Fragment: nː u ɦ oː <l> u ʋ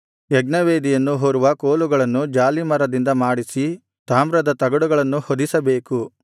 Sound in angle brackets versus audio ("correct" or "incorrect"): incorrect